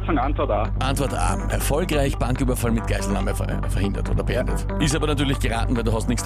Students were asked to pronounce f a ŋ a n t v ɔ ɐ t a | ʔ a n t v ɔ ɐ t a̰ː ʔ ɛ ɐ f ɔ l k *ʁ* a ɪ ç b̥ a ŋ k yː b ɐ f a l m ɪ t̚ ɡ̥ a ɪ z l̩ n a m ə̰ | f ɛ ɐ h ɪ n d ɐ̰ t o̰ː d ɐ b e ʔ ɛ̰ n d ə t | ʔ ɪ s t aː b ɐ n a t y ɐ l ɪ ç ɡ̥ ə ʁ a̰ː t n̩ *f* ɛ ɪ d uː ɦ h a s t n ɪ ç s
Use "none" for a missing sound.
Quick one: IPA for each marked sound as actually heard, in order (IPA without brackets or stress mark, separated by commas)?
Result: ʁ, v